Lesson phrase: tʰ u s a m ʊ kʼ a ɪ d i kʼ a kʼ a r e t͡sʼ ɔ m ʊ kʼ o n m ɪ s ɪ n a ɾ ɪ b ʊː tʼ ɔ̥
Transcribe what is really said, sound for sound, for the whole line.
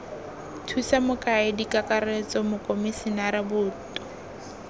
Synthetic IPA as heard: tʰ u s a m ʊ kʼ a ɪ d i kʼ a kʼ a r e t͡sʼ ɔ m ʊ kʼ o m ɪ s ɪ n a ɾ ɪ b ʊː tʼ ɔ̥